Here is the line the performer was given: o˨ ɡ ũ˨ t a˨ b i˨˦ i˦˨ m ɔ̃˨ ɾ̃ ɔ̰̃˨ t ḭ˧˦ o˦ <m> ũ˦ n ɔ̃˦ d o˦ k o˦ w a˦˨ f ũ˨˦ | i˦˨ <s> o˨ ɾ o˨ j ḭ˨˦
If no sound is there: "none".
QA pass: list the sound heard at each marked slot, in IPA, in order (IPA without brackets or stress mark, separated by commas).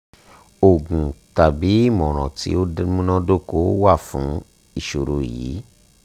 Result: m, ʃ